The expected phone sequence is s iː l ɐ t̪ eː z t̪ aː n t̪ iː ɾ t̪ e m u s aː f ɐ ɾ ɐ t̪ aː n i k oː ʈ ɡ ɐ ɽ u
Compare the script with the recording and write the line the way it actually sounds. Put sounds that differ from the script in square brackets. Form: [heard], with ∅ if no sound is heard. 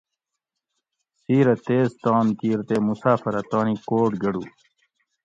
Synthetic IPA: s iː [ɾ] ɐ t̪ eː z t̪ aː n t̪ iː ɾ t̪ e m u s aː f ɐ ɾ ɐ t̪ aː n i k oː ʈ ɡ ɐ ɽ u